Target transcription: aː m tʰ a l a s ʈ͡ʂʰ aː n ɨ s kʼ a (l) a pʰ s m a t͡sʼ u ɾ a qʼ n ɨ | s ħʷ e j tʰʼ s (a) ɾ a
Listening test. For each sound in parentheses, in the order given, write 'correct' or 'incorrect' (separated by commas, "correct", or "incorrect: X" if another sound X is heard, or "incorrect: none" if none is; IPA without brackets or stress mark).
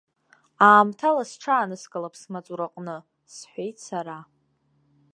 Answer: correct, correct